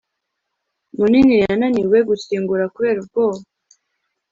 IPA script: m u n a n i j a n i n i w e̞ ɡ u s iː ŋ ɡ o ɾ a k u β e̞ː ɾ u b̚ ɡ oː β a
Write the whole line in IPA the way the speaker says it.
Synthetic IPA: m u n i n i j a n a n i w e̞ ɡ u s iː ŋ ɡ u ɾ a k u β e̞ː ɾ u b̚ ɡ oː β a